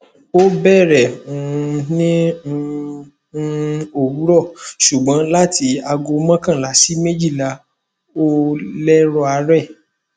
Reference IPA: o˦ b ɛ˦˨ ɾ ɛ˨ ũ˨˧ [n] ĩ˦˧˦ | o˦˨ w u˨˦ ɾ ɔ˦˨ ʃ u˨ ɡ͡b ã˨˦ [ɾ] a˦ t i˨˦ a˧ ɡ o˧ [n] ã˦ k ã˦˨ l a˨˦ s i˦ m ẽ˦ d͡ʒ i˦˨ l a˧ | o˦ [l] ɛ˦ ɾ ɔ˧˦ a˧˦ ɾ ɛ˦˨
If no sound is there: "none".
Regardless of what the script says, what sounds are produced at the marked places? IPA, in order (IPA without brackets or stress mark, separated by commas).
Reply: n, l, m, l